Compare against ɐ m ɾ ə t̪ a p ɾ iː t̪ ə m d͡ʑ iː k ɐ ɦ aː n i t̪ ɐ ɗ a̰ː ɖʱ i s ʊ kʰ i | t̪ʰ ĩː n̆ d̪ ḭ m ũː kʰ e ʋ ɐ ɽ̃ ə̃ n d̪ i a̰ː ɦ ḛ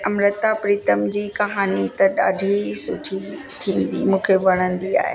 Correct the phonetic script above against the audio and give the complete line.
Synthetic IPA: ɐ m ɾ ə t̪ a p ɾ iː t̪ ə m d͡ʑ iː k ɐ ɦ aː n i t̪ ɐ ɗ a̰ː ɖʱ i s ʊ ʈʰ i | t̪ʰ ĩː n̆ d̪ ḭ m ũː kʰ e ʋ ɐ ɽ̃ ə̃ n d̪ i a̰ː ɦ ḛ